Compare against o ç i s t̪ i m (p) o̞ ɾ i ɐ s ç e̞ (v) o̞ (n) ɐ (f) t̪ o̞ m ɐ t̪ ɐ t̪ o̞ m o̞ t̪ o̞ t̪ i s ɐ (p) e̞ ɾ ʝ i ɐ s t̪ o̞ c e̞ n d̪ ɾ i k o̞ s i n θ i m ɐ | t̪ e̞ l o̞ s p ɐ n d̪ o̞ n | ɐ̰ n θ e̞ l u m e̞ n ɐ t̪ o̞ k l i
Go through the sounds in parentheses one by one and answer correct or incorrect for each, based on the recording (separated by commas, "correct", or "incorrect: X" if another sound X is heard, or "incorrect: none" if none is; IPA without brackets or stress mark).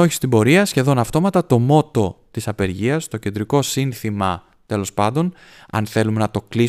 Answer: incorrect: b, incorrect: ð, correct, correct, correct